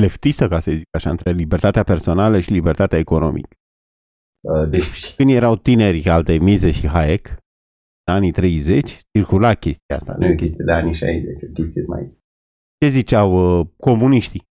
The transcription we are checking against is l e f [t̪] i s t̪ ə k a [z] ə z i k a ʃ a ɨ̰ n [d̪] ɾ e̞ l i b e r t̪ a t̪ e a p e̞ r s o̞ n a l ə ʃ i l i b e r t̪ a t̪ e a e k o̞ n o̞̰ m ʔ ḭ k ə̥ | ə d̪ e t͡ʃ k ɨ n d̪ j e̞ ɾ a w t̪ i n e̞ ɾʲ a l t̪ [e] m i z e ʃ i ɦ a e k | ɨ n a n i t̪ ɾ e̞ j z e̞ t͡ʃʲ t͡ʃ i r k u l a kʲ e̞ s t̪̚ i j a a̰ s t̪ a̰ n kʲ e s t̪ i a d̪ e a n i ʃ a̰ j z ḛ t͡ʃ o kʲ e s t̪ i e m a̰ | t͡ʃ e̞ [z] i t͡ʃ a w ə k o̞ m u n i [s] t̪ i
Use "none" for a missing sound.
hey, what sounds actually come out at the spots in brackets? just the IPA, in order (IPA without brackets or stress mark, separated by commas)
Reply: t̪, s, t̪, e, z, ʃ